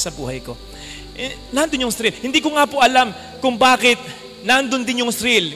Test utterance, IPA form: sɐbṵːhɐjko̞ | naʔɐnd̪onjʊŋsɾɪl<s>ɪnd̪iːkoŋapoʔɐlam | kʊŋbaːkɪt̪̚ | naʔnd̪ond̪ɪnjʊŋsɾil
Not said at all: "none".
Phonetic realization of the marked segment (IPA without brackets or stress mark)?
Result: h